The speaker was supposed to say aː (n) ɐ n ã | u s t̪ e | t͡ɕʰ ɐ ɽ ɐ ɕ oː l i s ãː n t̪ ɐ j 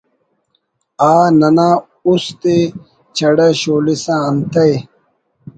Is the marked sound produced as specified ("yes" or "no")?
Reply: yes